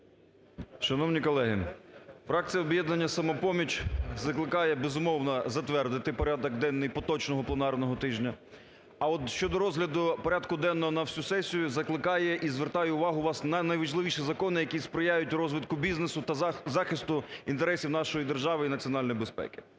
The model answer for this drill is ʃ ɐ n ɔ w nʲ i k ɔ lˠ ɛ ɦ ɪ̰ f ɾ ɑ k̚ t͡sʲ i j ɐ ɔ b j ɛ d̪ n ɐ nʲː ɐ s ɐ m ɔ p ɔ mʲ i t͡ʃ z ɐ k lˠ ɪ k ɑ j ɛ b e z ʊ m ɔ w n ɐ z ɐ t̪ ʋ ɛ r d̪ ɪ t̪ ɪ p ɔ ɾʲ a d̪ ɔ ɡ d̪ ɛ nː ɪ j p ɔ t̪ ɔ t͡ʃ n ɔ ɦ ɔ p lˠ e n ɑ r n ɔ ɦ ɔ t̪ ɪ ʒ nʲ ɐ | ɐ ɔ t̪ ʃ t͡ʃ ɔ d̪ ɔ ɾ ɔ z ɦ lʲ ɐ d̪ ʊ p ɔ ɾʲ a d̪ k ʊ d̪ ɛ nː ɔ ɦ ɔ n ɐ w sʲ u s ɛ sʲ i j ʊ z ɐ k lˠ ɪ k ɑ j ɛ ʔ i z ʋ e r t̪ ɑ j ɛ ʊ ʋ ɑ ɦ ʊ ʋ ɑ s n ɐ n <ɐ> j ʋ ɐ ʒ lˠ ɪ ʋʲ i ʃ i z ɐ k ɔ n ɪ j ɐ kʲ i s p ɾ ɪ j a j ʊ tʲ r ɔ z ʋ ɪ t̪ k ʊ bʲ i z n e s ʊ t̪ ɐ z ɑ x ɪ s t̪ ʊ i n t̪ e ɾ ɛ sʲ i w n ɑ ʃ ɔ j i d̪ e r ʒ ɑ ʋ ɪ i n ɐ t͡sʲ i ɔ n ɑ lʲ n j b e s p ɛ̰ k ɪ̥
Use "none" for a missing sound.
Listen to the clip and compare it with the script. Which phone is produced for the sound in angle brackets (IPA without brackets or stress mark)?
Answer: ɐ